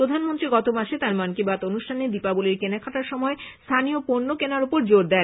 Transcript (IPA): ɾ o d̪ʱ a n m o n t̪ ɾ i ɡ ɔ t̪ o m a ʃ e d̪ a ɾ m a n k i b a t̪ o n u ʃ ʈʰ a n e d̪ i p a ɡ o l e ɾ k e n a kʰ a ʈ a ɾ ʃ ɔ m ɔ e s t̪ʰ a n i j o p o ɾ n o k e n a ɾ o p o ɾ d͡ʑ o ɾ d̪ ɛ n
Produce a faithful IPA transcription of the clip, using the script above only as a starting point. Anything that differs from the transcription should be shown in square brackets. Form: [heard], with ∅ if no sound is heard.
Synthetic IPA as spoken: ɾ o d̪ʱ a n m o n t̪ ɾ i ɡ ɔ t̪ o m a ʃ e [t̪] a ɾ m a n k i b a t̪ o n u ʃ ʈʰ a n e d̪ i p a [b] o l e ɾ k e n a kʰ a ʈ a ɾ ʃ ɔ m ɔ e s t̪ʰ a n i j o p o ɾ n o k e n a ɾ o p o ɾ d͡ʑ o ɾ d̪ ɛ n